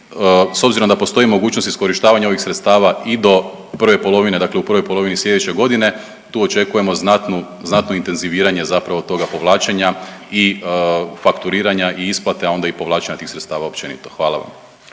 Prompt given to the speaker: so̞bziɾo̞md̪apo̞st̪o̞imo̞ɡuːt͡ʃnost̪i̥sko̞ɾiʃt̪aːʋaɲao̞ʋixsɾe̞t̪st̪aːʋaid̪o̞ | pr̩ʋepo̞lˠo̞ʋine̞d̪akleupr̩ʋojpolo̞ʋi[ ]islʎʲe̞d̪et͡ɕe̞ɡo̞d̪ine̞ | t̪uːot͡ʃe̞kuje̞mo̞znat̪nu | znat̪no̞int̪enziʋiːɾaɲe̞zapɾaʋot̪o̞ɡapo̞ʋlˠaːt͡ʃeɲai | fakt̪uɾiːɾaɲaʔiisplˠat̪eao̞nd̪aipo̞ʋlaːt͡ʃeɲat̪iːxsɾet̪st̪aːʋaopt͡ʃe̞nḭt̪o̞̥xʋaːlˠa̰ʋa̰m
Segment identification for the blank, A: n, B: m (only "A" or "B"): A